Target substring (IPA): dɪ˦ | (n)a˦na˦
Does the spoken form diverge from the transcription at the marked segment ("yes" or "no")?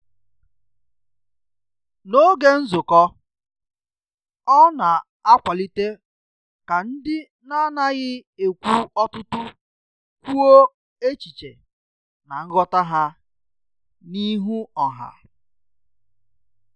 no